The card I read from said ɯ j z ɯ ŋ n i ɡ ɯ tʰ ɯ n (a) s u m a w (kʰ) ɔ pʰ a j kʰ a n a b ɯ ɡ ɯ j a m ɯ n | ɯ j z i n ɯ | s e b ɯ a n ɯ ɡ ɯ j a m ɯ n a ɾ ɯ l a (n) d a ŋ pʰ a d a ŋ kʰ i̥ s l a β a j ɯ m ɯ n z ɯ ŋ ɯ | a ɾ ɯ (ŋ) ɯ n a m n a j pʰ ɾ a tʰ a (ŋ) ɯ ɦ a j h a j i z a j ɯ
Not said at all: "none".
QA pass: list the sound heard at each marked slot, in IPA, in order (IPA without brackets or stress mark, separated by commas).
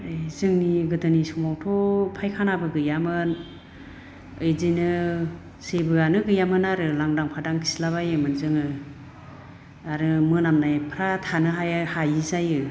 i, tʰ, ŋ, m, n